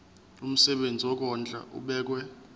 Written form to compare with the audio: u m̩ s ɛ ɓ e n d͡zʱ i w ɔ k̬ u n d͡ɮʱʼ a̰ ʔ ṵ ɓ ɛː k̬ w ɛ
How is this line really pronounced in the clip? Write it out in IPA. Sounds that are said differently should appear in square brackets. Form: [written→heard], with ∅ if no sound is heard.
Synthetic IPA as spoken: u m̩ s ɛ ɓ e n d͡zʱ i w ɔ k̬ [u→ɔ] n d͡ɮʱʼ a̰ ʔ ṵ ɓ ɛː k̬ w ɛ